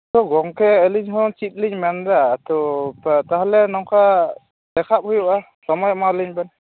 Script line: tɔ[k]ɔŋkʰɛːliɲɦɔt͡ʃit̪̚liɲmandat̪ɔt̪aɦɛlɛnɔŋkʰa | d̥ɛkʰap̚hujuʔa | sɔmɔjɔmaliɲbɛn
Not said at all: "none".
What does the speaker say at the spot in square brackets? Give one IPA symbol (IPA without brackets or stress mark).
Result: ɡ